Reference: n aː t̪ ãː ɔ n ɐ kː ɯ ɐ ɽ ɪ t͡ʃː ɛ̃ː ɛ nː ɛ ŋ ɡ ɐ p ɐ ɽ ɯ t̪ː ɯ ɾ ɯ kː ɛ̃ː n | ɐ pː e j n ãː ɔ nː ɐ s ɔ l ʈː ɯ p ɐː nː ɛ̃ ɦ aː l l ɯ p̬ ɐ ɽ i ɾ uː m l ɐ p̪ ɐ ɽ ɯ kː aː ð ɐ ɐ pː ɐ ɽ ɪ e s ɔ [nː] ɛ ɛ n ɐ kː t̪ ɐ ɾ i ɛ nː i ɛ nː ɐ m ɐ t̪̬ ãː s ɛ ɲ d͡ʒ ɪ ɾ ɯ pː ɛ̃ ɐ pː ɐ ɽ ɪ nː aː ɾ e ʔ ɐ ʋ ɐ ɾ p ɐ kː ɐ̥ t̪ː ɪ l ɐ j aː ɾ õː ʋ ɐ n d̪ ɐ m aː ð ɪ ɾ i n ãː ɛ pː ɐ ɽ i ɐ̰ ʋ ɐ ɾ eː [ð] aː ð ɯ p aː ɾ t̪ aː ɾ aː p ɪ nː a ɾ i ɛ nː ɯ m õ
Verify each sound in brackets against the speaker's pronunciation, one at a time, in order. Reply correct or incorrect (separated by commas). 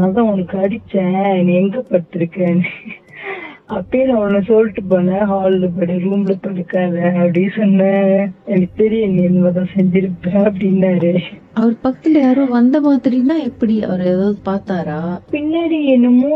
correct, correct